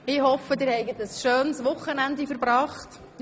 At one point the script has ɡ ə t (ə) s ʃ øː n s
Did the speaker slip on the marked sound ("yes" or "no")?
no